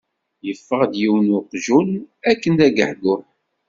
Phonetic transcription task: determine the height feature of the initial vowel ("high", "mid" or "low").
mid